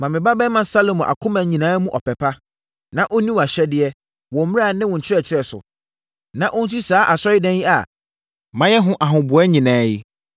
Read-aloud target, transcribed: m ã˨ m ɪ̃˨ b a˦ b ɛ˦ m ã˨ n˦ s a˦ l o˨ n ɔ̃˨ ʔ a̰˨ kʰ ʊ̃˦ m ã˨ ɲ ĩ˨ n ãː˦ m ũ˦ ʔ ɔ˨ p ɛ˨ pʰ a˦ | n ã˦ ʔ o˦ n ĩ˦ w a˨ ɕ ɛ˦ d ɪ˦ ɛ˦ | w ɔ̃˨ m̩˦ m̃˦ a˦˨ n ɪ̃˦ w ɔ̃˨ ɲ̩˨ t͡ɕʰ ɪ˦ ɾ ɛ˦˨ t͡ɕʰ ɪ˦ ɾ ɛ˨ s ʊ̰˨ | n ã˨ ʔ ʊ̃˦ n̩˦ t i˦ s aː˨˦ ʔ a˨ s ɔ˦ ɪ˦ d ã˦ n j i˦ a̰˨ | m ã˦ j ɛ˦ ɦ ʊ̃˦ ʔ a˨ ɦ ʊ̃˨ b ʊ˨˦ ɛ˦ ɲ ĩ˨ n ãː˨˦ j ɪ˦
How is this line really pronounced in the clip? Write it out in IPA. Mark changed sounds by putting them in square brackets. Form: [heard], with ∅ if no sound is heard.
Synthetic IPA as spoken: m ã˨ m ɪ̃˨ b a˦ b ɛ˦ m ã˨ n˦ s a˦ l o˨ [m] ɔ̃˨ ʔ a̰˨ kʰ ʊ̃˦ m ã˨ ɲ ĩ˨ n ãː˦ m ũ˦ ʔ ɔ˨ p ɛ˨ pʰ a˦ | n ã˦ ʔ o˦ n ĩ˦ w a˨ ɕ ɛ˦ d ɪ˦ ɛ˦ | w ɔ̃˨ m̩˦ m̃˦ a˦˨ n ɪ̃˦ w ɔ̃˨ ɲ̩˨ t͡ɕʰ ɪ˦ ɾ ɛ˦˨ t͡ɕʰ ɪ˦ ɾ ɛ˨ s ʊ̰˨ | n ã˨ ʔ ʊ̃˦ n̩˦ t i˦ s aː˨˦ ʔ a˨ s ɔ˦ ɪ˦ d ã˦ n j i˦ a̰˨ | m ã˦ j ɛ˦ ɦ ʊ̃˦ ʔ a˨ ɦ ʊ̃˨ b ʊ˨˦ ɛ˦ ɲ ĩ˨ n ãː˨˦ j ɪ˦